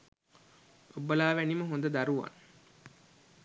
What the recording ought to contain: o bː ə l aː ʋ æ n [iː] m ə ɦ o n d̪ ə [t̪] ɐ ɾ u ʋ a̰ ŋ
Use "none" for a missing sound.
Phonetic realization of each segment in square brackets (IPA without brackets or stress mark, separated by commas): i, d̪